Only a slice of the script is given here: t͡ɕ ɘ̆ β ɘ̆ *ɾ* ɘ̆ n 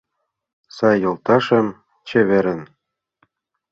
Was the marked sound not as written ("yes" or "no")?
no